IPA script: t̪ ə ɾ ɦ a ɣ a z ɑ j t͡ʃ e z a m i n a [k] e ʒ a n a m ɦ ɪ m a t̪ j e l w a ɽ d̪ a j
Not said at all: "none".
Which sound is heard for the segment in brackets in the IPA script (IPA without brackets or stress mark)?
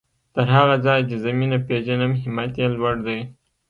p